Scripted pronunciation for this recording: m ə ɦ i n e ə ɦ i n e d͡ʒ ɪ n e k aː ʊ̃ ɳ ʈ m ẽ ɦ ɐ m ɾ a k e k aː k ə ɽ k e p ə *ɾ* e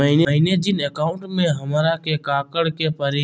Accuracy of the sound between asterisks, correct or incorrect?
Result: correct